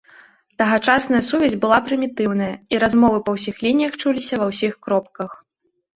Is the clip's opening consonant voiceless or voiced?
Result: voiceless